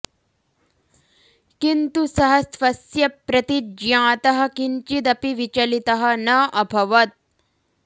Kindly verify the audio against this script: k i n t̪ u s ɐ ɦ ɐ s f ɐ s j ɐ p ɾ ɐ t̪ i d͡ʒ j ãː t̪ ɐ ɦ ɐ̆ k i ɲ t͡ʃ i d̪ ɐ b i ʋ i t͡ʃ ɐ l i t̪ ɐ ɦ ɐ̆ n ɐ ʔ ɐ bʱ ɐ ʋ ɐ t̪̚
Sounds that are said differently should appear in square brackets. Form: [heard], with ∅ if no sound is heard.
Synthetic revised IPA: k i n t̪ u s ɐ ɦ ɐ s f ɐ s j ɐ p ɾ ɐ t̪ i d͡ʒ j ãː t̪ ɐ ɦ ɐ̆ k i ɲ t͡ʃ i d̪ ɐ [p] i ʋ i t͡ʃ ɐ l i t̪ ɐ ɦ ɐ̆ n ɐ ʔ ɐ bʱ ɐ ʋ ɐ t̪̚